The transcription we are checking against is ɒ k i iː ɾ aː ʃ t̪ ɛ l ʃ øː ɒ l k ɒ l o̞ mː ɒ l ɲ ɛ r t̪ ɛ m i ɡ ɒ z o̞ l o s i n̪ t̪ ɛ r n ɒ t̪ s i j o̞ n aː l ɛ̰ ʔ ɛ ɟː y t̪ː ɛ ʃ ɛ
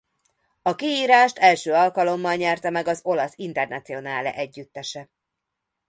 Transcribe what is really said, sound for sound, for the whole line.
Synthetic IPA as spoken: ɒ k i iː ɾ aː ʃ t̪ ɛ l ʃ øː ɒ l k ɒ l o̞ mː ɒ l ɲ ɛ r t̪ ɛ m ɛ ɡ ɒ z o̞ l ɒ s i n̪ t̪ ɛ r n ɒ t̪ s i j o̞ n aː l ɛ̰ ʔ ɛ ɟː y t̪ː ɛ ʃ ɛ